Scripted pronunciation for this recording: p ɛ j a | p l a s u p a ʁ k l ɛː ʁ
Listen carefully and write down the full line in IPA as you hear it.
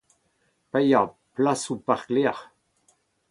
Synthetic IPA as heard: p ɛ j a | p l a s u p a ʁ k l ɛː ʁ